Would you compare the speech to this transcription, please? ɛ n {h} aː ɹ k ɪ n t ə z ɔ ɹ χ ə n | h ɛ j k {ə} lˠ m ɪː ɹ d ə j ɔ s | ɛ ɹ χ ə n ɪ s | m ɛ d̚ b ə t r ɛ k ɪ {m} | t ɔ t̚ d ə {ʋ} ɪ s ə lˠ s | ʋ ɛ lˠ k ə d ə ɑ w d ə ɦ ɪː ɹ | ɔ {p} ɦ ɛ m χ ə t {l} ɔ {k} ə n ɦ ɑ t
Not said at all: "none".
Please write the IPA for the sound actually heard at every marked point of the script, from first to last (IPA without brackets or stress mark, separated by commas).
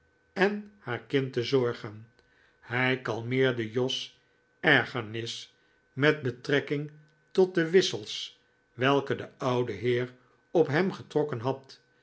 h, ɑ, ŋ, ʋ, p, r, k